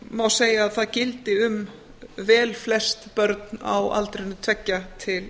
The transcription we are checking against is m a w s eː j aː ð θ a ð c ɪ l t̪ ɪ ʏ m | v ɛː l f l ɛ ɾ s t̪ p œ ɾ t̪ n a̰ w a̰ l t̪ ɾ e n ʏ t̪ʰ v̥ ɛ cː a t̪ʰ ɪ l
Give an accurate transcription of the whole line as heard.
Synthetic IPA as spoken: m a w s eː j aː ð θ a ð c ɪ l t̪ ɪ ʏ m | v ɛː l f l ɛ s t̪ p œ ɾ t̪ n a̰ w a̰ l t̪ ɾ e n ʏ t̪ʰ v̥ ɛ cː a t̪ʰ ɪ l